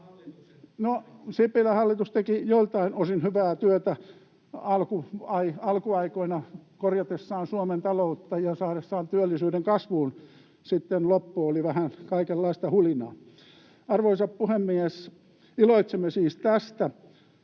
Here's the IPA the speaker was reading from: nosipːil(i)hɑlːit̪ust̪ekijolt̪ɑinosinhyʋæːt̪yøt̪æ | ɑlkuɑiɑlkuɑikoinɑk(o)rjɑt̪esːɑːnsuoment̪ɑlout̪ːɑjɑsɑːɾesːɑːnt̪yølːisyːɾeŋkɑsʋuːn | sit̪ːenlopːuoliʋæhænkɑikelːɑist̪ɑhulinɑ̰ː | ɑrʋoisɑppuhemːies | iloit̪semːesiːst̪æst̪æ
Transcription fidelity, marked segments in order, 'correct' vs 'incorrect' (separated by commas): incorrect, correct